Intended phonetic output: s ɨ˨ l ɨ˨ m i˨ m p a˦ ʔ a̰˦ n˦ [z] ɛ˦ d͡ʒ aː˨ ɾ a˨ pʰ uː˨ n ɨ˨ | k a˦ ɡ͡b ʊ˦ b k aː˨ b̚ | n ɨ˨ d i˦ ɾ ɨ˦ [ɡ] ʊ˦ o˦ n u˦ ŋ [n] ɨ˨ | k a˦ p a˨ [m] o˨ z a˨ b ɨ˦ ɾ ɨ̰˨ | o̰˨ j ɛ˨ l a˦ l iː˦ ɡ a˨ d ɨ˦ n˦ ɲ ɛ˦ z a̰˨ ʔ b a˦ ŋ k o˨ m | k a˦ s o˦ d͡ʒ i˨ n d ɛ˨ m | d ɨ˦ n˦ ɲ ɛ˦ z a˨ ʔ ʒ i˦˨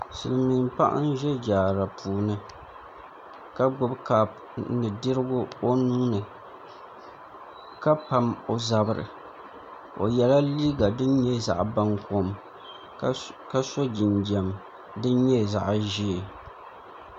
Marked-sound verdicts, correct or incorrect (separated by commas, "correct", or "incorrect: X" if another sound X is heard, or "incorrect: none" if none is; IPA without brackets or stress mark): incorrect: ʒ, correct, correct, correct